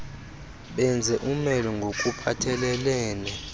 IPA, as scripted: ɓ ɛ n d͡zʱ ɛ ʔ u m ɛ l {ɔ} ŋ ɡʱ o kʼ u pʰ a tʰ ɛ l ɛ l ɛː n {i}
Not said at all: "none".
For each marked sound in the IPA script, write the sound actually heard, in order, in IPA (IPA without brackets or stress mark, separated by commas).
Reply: ɔ, ɛ